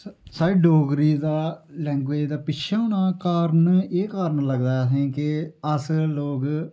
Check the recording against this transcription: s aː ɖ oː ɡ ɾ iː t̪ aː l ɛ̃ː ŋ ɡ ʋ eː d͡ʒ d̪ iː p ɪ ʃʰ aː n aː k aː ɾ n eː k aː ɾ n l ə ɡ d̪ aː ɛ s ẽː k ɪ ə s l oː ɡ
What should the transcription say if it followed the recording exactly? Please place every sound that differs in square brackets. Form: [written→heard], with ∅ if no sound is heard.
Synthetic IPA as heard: s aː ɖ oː ɡ ɾ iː [t̪→d̪] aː l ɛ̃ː ŋ ɡ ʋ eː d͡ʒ d̪ [iː→aː] p ɪ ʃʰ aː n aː k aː ɾ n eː k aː ɾ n l ə ɡ d̪ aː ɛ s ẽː k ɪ ə s l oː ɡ